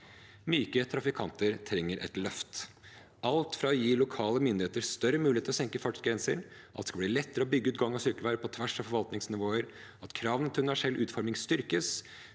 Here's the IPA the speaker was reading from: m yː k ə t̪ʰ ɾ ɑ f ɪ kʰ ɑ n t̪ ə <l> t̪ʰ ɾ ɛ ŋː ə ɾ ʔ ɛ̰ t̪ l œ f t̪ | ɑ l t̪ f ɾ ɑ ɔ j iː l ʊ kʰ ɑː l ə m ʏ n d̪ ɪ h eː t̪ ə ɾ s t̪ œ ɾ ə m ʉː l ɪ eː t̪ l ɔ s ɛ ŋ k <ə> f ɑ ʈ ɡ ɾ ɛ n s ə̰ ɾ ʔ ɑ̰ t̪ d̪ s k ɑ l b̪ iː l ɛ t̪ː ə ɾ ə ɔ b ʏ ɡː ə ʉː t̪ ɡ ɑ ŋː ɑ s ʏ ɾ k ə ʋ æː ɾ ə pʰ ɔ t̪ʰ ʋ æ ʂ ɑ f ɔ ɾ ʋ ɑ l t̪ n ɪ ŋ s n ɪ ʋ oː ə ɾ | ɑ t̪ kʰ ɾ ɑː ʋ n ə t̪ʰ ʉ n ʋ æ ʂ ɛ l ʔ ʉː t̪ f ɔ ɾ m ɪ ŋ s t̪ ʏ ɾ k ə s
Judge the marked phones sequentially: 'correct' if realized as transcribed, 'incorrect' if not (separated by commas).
incorrect, correct